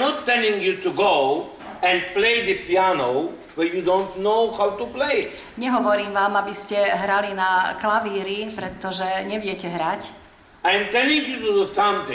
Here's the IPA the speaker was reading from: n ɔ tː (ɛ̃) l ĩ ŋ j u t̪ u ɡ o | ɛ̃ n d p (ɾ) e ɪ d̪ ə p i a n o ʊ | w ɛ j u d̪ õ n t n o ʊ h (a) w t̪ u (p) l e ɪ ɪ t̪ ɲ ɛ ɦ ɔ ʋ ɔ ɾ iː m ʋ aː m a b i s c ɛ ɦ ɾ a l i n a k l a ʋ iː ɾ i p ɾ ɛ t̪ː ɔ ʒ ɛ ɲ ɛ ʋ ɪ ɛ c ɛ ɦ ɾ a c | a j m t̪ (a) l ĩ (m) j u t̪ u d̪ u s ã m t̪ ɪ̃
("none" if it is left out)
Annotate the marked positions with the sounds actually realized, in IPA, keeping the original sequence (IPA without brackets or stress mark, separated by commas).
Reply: ɛ, l, a, p, ɛ, ŋ